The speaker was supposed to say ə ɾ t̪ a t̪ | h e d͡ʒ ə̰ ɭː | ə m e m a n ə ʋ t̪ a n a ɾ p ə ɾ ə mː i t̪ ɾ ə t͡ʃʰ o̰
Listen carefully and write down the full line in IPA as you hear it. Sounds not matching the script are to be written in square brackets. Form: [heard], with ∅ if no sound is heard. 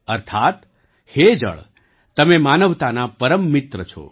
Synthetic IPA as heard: ə ɾ [t̪ʰ] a t̪ | h e d͡ʒ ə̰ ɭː | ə m e m a n ə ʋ t̪ a n a [∅] p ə ɾ ə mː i t̪ ɾ ə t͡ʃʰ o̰